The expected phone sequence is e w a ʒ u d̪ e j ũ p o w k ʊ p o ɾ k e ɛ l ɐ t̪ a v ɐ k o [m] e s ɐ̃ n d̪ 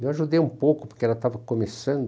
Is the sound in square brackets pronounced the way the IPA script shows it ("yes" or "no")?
yes